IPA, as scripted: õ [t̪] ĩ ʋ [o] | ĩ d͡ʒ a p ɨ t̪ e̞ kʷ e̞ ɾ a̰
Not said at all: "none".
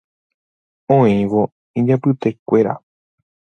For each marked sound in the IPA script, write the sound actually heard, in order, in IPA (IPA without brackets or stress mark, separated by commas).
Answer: none, o